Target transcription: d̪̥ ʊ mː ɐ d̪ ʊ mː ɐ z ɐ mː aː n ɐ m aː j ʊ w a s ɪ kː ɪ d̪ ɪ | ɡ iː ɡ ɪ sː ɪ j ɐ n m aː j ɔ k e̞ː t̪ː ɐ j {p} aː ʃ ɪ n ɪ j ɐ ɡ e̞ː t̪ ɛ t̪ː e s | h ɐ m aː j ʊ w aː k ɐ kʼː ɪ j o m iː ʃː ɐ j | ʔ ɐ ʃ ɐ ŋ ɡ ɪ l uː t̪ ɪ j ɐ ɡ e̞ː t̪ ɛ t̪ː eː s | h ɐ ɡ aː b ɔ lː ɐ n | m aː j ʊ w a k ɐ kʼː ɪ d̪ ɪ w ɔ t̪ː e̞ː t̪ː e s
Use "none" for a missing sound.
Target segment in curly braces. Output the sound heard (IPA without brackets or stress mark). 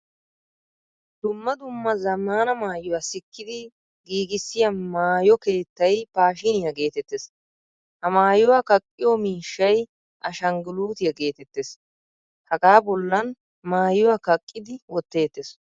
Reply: p